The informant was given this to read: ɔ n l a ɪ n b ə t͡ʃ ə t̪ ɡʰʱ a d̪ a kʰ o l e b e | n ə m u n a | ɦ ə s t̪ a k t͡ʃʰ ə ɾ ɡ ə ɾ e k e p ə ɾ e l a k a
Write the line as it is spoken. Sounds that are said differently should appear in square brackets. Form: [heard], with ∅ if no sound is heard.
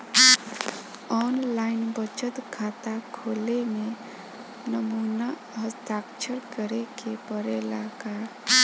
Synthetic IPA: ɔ n l a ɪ n b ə t͡ʃ ə t̪ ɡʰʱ a [t̪] a kʰ o l e [m] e | n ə m u n a | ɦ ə s t̪ a k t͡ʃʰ ə ɾ [k] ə ɾ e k e p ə ɾ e l a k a